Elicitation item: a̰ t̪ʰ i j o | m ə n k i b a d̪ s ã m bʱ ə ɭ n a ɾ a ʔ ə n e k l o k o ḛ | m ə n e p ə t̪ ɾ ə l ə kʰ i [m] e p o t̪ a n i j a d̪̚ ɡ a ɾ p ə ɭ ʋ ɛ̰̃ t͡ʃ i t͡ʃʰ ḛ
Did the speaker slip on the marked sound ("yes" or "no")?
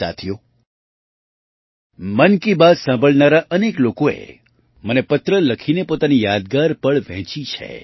yes